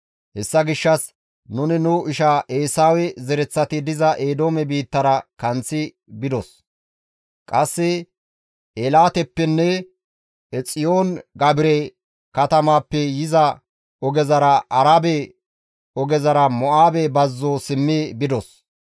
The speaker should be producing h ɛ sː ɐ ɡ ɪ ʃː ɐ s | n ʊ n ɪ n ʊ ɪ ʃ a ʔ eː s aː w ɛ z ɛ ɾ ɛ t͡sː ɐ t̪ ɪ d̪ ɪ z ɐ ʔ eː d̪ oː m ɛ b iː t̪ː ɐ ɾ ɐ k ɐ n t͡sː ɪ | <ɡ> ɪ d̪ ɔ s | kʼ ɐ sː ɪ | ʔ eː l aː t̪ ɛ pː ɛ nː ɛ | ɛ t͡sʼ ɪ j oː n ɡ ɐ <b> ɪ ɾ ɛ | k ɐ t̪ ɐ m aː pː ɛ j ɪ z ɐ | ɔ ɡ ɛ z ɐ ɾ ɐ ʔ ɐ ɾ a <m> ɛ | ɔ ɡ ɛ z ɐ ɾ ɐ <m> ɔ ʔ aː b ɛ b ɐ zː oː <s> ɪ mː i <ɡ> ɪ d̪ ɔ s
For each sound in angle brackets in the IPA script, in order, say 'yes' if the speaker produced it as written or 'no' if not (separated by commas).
no, yes, no, yes, yes, no